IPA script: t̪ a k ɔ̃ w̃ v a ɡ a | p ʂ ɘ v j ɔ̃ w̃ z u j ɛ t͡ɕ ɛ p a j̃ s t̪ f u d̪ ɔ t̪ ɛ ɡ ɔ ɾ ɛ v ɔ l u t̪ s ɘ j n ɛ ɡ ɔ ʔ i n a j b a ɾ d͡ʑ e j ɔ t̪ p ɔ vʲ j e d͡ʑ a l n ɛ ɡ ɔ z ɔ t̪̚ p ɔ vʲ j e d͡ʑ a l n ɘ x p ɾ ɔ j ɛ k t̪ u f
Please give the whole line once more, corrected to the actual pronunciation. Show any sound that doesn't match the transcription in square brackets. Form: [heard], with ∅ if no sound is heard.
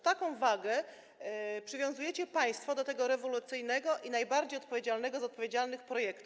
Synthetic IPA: t̪ a k ɔ̃ w̃ v a ɡ [ɛ] | p ʂ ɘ v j ɔ̃ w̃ z u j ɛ t͡ɕ ɛ p a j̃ s t̪ f [ɔ] d̪ ɔ t̪ ɛ ɡ ɔ ɾ ɛ v ɔ l u t̪ s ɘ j n ɛ ɡ ɔ ʔ i n a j b a ɾ d͡ʑ e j ɔ t̪ p ɔ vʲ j e d͡ʑ a l n ɛ ɡ ɔ z ɔ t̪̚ p ɔ vʲ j e d͡ʑ a l n ɘ x p ɾ ɔ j ɛ k t̪ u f